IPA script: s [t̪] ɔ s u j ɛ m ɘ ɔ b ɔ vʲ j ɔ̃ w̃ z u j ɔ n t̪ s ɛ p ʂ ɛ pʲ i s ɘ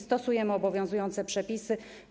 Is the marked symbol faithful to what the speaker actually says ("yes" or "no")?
yes